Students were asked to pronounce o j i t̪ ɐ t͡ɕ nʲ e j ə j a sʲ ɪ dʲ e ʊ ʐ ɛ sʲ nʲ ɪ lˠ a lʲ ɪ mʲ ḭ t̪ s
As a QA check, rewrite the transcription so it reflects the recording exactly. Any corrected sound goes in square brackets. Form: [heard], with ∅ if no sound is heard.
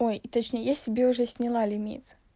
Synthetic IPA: o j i t̪ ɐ t͡ɕ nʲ e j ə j a sʲ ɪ [bʲ] e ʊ ʐ ɛ sʲ nʲ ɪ lˠ a lʲ ɪ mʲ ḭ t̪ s